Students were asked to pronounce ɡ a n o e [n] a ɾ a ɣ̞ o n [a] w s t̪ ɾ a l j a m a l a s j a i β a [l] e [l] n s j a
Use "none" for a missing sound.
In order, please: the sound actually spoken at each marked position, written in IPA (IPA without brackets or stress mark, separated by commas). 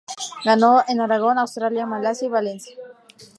n, a, l, none